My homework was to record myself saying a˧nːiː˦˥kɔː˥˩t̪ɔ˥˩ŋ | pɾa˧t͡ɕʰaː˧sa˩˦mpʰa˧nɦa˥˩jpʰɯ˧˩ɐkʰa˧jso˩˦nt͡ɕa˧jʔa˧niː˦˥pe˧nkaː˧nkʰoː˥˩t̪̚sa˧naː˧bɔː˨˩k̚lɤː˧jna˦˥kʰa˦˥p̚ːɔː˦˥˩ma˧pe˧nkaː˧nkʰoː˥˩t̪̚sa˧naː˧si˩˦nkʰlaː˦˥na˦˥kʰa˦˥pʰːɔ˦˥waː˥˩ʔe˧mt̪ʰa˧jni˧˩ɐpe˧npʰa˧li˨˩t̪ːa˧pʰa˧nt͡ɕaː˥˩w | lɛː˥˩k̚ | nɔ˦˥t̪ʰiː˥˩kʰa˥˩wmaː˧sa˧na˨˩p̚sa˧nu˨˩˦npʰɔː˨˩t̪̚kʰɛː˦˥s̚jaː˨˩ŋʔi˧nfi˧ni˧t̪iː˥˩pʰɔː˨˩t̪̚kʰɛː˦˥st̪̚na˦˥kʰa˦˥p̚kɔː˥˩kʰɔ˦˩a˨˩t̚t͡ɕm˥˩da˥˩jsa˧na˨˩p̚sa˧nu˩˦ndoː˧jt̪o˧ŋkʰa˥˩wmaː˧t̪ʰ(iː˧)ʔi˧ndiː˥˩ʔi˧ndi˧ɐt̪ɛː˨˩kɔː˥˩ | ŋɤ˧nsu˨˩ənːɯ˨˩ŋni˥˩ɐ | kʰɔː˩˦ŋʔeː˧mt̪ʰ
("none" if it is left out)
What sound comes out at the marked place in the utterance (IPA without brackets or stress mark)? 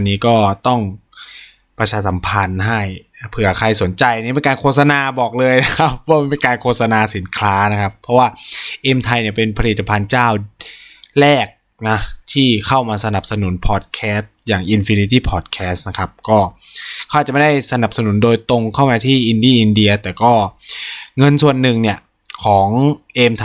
iː˥˩